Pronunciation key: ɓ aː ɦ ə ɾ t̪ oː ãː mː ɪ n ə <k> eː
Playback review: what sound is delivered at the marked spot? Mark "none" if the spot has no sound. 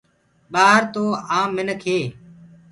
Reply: kʰ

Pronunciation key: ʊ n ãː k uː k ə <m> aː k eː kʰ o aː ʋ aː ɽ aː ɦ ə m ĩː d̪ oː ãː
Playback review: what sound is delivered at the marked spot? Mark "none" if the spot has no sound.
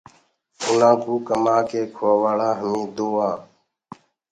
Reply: m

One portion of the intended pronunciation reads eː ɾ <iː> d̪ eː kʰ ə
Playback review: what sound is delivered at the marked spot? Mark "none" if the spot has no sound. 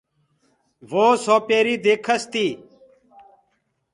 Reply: iː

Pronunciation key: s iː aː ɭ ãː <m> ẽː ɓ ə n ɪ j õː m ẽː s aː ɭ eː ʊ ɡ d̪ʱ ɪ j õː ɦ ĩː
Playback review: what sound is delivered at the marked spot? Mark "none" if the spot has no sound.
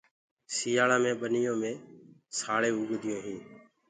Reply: m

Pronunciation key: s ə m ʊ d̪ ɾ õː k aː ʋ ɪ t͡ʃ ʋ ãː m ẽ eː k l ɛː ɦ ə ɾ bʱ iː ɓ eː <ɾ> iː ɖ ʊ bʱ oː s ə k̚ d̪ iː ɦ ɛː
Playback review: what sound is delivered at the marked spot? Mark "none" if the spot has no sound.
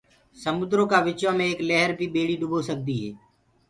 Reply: ɽ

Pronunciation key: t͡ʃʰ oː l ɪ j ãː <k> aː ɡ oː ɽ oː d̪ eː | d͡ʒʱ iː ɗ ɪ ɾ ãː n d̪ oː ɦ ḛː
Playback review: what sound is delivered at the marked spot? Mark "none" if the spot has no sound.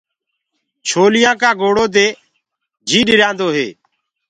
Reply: k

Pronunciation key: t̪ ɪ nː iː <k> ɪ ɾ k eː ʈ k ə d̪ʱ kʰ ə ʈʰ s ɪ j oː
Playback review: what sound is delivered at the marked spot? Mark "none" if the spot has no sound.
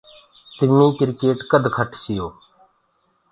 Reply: k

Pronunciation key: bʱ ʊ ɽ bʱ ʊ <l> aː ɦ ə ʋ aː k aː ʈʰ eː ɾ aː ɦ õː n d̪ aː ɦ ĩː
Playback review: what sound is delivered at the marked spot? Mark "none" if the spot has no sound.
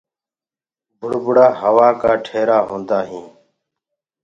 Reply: ɽ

